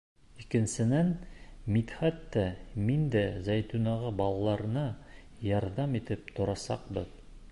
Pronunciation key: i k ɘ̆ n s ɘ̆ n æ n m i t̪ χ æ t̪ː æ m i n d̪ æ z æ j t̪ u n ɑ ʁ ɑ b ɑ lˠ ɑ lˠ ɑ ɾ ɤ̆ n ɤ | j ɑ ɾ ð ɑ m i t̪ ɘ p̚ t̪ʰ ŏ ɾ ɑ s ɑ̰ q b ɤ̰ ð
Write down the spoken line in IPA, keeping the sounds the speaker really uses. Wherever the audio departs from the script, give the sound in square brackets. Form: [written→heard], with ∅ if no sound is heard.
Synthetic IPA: i k ɘ̆ n s ɘ̆ n æ n m i t̪ χ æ t̪ː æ m i n d̪ æ z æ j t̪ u n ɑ ʁ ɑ b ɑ lˠ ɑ lˠ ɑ ɾ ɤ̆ n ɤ | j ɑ ɾ ð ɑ m i t̪ ɘ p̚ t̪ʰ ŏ ɾ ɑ s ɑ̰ q b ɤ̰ ð